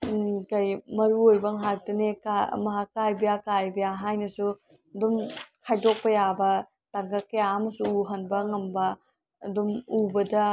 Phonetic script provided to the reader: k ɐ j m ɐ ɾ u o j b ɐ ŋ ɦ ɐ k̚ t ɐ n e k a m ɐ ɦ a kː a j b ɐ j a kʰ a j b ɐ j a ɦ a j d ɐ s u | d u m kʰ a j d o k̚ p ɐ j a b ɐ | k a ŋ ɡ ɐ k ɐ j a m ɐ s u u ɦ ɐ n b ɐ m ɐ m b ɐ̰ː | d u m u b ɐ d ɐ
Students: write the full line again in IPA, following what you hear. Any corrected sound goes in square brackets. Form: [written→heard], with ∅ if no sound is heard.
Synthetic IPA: k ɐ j m ɐ ɾ u o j b ɐ ŋ ɦ [ɐ→a] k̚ t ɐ n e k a m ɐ ɦ a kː a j b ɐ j a [kʰ→k] a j b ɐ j a ɦ a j [d→n] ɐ s u | d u m kʰ a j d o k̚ p ɐ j a b ɐ | [k→t] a ŋ ɡ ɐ k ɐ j a m ɐ s u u ɦ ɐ n b ɐ [m→ŋ] ɐ m b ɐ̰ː | d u m u b ɐ d ɐ